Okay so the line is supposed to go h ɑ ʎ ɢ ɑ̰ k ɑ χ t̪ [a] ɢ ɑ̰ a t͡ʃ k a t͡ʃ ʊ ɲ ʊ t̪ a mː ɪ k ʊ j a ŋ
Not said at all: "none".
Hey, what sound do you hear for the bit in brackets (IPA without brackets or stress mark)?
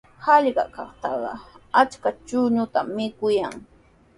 ɑ